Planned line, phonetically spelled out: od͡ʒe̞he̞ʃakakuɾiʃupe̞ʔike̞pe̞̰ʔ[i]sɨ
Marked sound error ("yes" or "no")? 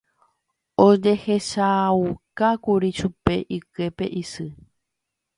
no